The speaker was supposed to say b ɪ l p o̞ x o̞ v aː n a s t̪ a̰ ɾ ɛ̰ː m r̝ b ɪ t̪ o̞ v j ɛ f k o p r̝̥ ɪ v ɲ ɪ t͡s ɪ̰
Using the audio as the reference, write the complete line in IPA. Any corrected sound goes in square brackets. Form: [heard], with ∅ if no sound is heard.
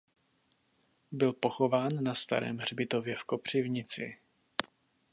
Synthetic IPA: b ɪ l p o̞ x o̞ v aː [nː] a s t̪ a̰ ɾ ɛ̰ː m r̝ b ɪ t̪ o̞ v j ɛ f k o p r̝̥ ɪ v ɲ ɪ t͡s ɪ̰